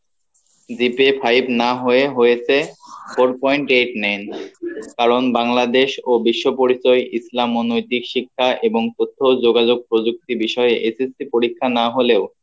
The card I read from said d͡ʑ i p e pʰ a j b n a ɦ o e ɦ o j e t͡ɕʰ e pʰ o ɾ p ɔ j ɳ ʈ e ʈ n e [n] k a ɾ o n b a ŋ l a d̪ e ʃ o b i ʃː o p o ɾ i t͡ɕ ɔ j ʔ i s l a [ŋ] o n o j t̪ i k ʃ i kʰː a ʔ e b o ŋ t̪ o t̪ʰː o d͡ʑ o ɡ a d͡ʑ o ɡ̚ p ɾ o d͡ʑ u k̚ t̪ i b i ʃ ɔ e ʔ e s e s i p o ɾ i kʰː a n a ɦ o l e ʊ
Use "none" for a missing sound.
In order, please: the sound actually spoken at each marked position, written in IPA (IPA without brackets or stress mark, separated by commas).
n, m